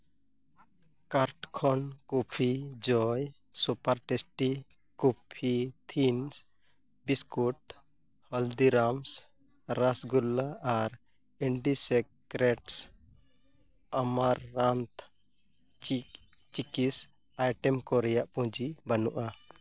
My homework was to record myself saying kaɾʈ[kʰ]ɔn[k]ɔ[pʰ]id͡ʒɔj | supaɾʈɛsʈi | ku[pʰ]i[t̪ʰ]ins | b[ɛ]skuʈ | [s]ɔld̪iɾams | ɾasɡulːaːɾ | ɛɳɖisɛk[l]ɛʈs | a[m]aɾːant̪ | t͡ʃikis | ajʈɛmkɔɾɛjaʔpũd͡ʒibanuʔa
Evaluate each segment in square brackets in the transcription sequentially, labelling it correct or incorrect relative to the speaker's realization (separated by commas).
correct, correct, correct, correct, correct, incorrect, incorrect, incorrect, correct